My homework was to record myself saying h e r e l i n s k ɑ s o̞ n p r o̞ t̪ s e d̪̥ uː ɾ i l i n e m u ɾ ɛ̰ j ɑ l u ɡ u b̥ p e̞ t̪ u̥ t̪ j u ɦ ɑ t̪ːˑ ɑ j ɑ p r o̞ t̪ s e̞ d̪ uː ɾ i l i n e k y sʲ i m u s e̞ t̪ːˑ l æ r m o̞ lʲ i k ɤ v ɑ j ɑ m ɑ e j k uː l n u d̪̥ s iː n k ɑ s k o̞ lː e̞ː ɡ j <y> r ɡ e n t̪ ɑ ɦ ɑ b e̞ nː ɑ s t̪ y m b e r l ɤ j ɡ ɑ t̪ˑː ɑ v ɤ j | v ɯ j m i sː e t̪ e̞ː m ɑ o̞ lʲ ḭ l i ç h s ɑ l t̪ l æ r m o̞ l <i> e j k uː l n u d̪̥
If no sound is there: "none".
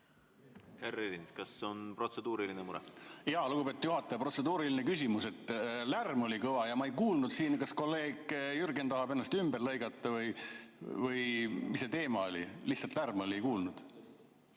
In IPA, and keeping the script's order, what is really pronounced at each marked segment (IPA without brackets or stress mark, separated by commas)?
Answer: y, i